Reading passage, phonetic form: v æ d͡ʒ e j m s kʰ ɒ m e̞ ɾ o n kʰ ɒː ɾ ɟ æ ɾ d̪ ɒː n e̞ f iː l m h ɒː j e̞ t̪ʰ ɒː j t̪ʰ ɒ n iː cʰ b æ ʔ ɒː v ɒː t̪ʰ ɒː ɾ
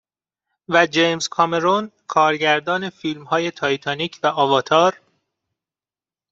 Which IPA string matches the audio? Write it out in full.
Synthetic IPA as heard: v æ d͡ʒ e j m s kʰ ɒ m e̞ ɾ o n kʰ ɒː ɾ ɟ æ ɾ d̪ ɒː n e̞ f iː l m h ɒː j e̞ t̪ʰ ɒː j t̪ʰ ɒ n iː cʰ v æ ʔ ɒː v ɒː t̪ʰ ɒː ɾ